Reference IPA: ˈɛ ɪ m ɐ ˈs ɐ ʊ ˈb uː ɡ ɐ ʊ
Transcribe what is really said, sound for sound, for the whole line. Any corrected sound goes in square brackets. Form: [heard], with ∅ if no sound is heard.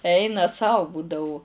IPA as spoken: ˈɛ ɪ [n] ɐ ˈs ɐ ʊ ˈb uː [d] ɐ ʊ

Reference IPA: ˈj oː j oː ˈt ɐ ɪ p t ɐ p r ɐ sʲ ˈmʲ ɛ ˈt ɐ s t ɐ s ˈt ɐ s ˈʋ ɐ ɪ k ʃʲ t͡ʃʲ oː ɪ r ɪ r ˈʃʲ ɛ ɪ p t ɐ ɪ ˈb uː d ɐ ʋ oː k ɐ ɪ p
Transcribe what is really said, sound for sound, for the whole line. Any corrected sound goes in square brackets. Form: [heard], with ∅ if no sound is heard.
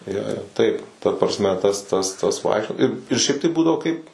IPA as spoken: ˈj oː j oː ˈt ɐ ɪ p t ɐ p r ɐ sʲ ˈmʲ ɛ ˈt ɐ s t ɐ s ˈt ɐ s ˈʋ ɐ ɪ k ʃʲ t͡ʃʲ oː ɪ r ɪ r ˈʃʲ ɛ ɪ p t ɐ ɪ ˈb uː d ɐ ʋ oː k ɐ ɪ p

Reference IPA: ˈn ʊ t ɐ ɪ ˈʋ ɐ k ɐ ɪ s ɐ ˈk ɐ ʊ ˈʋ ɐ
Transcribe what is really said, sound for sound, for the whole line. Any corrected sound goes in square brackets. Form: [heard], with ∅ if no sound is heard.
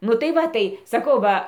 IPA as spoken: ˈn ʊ t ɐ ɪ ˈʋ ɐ [t] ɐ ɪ s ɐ ˈk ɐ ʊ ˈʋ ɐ

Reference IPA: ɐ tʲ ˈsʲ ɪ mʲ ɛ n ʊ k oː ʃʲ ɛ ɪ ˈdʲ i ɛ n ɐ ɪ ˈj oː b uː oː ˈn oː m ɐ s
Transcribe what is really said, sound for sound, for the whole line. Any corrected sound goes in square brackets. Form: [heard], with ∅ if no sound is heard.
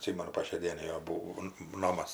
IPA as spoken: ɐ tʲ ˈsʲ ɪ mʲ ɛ n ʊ [p] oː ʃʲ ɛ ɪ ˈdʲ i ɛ n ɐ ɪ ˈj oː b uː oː ˈn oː m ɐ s

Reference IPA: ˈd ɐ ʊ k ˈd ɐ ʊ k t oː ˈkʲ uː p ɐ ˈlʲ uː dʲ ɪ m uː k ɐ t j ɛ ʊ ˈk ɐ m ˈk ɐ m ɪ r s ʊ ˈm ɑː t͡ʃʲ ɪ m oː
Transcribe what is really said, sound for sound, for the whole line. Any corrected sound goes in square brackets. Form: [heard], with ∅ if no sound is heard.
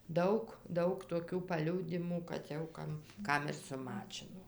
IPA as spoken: ˈd ɐ ʊ k ˈd ɐ ʊ k t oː ˈkʲ uː p ɐ ˈlʲ uː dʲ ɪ m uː k ɐ t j ɛ ʊ ˈk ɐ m ˈk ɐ m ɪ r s ʊ ˈm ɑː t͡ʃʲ ɪ [n] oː

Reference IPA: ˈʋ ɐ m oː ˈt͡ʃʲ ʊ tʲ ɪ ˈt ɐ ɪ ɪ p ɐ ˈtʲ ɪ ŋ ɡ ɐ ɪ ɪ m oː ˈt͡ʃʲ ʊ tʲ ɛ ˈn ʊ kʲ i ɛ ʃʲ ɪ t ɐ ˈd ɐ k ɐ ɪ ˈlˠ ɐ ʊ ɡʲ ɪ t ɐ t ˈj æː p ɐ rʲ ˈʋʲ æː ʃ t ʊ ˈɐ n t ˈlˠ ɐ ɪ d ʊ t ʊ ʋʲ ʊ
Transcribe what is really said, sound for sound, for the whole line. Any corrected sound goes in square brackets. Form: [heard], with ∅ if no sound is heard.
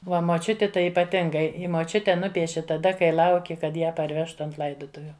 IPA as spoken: ˈʋ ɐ m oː ˈt͡ʃʲ ʊ tʲ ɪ ˈt ɐ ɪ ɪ p ɐ ˈtʲ ɪ ŋ ɡ ɐ ɪ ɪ m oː ˈt͡ʃʲ ʊ tʲ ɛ ˈn ʊ [pʲ] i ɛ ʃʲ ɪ t ɐ ˈd ɐ k ɐ ɪ ˈlˠ ɐ ʊ [kʲ] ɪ [k] ɐ t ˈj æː p ɐ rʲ ˈʋʲ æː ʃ t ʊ ˈɐ n t ˈlˠ ɐ ɪ d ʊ t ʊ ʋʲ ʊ

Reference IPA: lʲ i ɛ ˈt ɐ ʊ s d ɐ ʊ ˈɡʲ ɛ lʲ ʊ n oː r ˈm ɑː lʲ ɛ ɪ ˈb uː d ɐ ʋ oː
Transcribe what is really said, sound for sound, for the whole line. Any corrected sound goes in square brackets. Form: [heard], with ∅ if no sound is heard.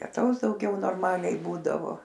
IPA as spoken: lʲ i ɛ ˈt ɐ ʊ s d ɐ ʊ ˈɡʲ ɛ [∅] ʊ n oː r ˈm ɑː lʲ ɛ ɪ ˈb uː d ɐ ʋ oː

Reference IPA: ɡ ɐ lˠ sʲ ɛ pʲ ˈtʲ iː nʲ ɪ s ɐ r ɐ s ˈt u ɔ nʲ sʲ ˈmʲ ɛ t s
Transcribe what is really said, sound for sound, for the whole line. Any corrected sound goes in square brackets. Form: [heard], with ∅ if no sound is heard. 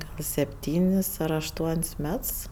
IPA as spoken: ɡ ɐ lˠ sʲ ɛ pʲ ˈtʲ iː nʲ ɪ s ɐ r ɐ [ʃ] ˈt u ɔ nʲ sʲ ˈmʲ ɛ t s

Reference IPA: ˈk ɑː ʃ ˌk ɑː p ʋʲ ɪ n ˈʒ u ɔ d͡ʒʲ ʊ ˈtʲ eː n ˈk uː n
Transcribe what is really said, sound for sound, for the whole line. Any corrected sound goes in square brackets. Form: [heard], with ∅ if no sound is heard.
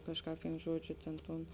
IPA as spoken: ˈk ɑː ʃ ˌk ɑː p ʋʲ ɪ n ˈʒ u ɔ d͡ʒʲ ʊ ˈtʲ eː n [ˈt] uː n

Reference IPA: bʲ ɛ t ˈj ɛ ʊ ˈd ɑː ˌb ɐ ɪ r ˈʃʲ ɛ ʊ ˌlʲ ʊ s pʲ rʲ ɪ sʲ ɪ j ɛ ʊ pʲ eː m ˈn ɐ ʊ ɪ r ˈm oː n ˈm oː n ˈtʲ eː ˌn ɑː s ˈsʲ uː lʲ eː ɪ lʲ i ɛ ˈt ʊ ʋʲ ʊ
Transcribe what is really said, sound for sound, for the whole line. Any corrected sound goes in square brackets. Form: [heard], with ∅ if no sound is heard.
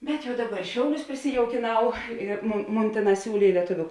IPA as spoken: bʲ ɛ t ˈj ɛ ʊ ˈd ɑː ˌb ɐ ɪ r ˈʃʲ ɛ ʊ ˌlʲ ʊ s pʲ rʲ ɪ sʲ ɪ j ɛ ʊ [kʲ] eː [∅] ˈn ɐ ʊ ɪ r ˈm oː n ˈm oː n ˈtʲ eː ˌn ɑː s ˈsʲ uː lʲ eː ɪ lʲ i ɛ ˈt ʊ ʋʲ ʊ

